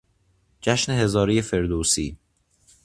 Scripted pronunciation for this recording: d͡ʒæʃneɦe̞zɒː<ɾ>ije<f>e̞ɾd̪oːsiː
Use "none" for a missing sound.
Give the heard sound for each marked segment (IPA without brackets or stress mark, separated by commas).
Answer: ɾ, f